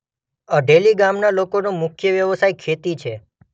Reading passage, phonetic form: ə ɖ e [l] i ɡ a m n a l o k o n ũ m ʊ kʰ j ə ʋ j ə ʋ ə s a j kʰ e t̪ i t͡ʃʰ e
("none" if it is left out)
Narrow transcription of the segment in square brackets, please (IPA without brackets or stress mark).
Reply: l